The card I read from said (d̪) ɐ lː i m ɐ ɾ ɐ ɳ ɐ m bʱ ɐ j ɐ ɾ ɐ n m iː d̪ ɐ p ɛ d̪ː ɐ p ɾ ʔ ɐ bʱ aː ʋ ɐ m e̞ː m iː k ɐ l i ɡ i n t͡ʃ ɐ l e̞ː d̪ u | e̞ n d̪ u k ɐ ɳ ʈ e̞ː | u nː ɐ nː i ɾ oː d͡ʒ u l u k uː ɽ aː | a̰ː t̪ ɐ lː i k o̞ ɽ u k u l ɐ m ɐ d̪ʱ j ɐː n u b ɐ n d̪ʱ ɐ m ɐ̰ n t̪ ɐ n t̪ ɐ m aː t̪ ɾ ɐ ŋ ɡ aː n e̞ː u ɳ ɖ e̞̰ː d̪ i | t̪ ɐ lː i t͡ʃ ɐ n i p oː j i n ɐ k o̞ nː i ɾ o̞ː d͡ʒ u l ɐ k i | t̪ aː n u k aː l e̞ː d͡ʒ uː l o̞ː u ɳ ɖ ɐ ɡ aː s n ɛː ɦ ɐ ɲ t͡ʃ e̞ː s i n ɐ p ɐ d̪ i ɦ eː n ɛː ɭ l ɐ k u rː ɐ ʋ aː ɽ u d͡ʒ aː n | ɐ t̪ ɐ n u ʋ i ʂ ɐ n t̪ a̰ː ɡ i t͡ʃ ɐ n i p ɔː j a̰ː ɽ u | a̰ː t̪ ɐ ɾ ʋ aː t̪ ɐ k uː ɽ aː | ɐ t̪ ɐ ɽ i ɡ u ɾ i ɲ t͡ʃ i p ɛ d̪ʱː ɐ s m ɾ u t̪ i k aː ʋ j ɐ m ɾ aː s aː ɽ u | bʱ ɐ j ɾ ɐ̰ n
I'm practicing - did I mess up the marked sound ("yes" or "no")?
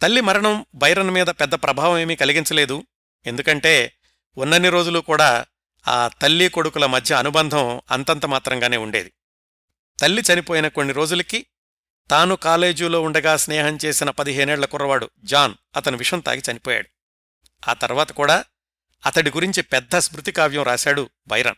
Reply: yes